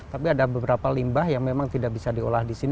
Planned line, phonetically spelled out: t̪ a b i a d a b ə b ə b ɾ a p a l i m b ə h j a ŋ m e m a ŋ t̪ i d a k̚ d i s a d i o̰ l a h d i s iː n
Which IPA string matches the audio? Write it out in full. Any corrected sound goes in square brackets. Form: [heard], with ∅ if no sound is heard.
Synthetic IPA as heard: t̪ a [p] i a d a b ə b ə [∅] ɾ a p a l i m b [a] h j a ŋ m e m a ŋ t̪ i d a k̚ [b] i s a d i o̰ l a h d i s [i] n